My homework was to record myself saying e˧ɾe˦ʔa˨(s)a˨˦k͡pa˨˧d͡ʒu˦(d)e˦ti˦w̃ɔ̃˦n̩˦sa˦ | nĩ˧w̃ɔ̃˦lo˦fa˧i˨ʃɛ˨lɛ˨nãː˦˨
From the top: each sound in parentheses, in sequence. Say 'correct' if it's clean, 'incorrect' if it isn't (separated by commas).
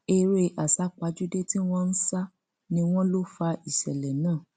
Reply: correct, correct